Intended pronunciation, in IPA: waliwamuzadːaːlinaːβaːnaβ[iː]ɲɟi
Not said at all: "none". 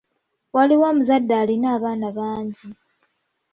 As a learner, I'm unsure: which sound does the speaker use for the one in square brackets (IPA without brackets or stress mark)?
aː